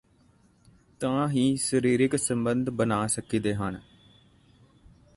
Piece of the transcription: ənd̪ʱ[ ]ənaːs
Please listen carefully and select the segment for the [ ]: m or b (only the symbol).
b